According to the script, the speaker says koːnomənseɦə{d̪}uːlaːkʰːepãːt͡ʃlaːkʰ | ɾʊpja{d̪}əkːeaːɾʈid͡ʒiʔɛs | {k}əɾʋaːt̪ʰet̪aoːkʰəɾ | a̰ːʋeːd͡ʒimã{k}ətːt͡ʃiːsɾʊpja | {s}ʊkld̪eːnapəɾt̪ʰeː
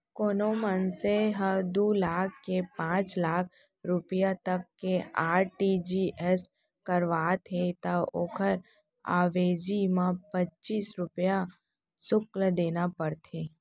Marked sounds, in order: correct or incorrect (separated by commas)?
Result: correct, incorrect, correct, incorrect, correct